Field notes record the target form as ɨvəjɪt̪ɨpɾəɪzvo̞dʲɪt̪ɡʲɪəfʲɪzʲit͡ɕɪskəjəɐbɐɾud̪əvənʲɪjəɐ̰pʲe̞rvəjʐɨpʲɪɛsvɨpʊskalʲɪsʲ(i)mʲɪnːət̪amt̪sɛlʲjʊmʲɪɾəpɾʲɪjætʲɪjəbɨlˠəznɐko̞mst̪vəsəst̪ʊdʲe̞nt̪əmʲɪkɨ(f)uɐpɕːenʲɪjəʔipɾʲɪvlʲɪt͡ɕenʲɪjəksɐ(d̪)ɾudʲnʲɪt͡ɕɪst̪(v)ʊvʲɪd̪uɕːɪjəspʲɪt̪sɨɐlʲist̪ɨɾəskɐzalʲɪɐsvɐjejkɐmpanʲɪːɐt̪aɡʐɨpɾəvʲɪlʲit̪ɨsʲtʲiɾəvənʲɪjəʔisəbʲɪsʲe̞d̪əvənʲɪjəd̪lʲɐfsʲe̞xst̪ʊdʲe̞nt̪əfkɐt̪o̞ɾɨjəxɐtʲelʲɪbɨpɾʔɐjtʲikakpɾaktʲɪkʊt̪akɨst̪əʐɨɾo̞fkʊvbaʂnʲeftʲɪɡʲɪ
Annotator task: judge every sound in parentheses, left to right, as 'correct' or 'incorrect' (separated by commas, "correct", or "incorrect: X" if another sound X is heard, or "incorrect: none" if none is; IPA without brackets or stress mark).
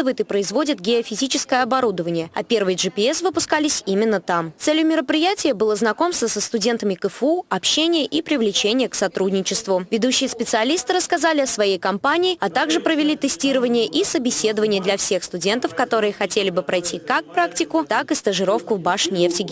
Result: correct, correct, incorrect: t̪, correct